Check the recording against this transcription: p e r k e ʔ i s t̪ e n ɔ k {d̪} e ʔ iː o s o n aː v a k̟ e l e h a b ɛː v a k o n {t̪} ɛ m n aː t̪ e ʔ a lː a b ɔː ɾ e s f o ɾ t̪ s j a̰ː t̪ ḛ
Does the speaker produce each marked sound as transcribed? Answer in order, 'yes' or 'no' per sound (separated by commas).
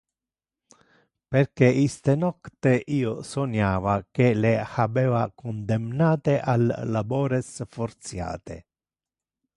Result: no, no